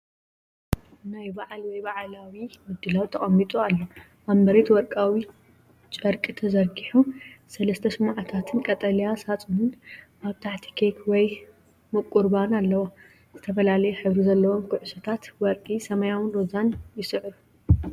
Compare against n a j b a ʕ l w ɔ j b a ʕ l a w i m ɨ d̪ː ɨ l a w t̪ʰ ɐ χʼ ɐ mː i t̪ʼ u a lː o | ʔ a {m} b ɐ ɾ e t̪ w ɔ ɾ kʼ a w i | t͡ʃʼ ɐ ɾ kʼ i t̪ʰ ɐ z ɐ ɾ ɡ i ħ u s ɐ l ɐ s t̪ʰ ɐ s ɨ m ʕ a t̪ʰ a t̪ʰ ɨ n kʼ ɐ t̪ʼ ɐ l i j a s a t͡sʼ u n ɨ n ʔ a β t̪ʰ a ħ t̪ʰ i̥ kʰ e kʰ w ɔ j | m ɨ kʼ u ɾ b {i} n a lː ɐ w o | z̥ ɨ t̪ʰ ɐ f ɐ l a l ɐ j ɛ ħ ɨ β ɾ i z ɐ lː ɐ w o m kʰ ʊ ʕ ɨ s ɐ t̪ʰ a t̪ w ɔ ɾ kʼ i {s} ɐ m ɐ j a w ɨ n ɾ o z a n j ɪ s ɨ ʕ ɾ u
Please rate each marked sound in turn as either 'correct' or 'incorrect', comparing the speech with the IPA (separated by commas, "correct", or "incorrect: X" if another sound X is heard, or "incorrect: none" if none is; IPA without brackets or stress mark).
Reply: correct, incorrect: a, correct